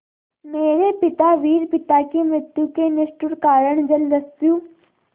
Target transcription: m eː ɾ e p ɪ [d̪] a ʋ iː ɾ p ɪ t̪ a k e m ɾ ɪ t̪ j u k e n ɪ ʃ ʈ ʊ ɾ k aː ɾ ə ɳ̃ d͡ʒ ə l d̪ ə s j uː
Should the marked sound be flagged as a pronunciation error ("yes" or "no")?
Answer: yes